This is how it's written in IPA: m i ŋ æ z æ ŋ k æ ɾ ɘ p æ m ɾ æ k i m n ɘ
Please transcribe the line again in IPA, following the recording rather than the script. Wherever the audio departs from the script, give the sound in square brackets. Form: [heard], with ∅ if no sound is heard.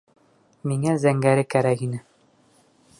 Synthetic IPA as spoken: m i ŋ æ z æ ŋ [ɡ] æ ɾ ɘ [k] æ [∅] ɾ æ k i [∅] n ɘ